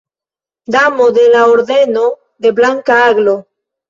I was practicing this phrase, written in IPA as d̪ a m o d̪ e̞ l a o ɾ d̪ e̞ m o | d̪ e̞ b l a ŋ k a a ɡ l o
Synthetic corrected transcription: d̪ a m o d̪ e̞ l a o ɾ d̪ e̞ n o | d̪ e̞ b l a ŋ k a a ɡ l o